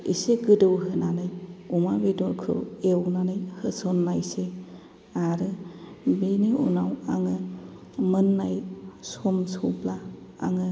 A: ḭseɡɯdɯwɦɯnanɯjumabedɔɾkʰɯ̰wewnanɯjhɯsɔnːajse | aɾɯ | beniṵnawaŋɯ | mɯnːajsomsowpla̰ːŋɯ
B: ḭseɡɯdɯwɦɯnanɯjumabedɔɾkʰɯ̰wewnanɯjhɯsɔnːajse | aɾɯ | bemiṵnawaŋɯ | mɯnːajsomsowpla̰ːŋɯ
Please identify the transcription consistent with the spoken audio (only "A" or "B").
A